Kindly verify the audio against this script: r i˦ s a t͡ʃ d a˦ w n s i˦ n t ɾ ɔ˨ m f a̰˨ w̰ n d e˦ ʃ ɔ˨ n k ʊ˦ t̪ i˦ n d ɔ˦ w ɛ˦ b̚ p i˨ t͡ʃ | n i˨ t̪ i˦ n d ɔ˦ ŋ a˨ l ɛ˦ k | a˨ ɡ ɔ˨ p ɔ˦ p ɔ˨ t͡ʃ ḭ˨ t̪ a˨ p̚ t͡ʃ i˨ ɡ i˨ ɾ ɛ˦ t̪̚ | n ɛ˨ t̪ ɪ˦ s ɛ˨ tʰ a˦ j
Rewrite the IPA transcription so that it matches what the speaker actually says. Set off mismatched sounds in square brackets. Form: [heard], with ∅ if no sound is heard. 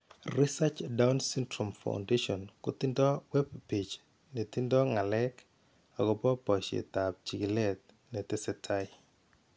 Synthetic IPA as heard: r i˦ s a t͡ʃ d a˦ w n s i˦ n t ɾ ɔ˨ m f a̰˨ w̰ n d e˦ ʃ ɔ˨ n k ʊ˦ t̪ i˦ n d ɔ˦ w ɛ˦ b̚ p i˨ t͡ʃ | n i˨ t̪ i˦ n d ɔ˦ ŋ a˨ l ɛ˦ k | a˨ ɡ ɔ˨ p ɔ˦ p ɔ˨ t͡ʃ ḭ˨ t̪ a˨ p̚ t͡ʃ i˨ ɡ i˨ [l] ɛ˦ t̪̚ | n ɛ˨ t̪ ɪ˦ s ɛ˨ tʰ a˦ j